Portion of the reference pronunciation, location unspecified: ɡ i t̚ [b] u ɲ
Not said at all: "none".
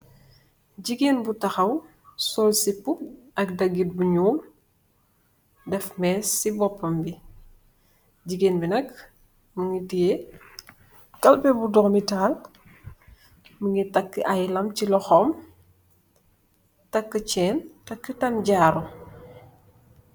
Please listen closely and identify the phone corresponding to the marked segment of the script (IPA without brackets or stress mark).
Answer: b